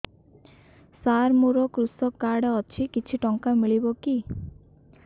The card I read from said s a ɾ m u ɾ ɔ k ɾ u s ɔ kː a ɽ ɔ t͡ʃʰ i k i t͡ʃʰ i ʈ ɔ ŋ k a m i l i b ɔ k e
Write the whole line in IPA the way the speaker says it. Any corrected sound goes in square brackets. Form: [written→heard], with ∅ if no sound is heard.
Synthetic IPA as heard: s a ɾ m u ɾ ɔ k ɾ u s ɔ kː a ɽ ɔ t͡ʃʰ i k i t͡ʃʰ i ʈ ɔ ŋ k a m i [l→ɭ] i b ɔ k [e→i]